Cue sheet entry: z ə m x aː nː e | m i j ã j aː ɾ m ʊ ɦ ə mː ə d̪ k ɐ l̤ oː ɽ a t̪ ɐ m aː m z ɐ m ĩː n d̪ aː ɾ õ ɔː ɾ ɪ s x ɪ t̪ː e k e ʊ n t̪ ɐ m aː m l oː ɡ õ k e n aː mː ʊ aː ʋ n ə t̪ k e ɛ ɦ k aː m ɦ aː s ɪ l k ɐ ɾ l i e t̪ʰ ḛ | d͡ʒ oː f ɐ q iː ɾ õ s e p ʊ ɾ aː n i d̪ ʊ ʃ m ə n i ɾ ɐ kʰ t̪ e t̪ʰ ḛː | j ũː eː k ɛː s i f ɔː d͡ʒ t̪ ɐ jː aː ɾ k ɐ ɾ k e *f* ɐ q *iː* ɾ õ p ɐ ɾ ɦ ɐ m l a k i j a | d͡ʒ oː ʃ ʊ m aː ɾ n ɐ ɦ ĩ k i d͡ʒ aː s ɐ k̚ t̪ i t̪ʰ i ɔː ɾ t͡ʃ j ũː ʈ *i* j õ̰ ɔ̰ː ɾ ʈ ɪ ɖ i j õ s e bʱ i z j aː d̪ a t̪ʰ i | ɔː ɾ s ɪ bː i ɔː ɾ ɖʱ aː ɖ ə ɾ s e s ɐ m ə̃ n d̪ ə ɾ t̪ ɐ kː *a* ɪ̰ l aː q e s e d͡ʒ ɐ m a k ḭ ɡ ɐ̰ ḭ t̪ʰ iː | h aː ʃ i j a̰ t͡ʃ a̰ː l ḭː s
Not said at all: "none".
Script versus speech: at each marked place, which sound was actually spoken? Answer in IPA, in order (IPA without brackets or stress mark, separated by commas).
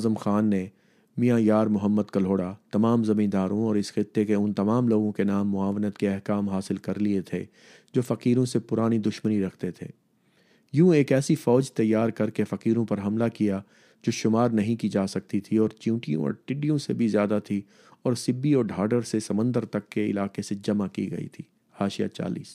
f, iː, i, e